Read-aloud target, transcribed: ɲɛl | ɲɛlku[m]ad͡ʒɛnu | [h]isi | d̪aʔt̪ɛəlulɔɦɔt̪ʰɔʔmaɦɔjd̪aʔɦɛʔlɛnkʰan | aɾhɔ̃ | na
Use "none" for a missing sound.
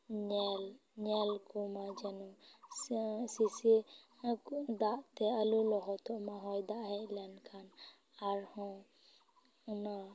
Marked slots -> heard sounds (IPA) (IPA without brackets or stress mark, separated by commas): m, s